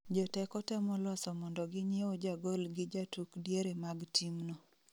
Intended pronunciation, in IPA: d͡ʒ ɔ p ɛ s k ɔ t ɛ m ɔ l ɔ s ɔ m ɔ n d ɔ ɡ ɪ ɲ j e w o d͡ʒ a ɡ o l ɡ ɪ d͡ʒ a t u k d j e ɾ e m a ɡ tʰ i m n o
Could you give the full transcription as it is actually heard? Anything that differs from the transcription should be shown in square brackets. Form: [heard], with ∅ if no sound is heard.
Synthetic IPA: d͡ʒ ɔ [t] ɛ [∅] k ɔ t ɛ m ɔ l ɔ s ɔ m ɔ n d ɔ ɡ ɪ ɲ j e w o d͡ʒ a ɡ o l ɡ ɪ d͡ʒ a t u k d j e ɾ e m a ɡ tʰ i m n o